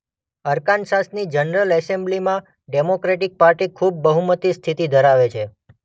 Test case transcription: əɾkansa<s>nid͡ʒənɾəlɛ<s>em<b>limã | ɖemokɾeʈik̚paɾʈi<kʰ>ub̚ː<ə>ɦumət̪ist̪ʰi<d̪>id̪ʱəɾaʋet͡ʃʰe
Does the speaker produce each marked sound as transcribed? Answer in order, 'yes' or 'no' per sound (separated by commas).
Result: yes, yes, yes, yes, yes, no